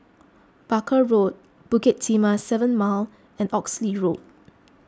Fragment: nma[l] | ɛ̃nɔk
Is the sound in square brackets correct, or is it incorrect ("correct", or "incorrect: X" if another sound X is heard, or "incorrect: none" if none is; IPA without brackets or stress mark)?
correct